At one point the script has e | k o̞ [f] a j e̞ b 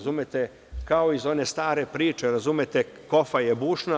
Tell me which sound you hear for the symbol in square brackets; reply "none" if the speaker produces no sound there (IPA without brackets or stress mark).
f